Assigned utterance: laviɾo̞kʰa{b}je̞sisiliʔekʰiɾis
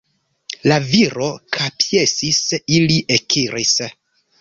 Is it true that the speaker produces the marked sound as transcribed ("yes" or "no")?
no